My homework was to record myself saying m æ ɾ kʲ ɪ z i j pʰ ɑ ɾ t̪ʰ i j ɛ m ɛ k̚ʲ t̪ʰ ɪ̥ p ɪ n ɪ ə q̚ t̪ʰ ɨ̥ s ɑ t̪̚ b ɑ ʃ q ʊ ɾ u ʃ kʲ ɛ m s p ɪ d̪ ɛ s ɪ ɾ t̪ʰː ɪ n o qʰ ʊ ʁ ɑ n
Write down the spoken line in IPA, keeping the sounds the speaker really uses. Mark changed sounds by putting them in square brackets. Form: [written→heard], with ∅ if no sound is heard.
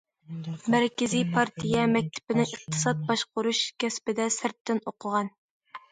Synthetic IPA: m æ ɾ kʲ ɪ z i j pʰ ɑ ɾ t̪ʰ i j ɛ m ɛ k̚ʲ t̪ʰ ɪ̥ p ɪ n ɪ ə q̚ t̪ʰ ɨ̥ s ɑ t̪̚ b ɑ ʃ q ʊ ɾ u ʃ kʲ ɛ [m→∅] s p ɪ d̪ ɛ s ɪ ɾ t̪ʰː ɪ n o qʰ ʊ ʁ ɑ n